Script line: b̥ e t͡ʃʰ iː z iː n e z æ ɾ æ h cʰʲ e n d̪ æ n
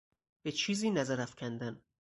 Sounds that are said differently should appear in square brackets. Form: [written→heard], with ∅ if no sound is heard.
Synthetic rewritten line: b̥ e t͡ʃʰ iː z iː n [e→æ] z æ ɾ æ [h→f] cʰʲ [e→æ] n d̪ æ n